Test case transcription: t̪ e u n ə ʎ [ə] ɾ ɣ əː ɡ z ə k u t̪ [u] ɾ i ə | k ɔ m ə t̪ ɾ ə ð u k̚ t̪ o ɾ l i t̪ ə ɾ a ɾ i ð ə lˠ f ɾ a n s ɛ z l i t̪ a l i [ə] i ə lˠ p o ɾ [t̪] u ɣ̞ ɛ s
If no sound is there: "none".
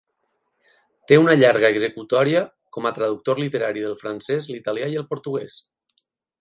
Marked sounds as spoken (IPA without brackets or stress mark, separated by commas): a, ɔ, a, t̪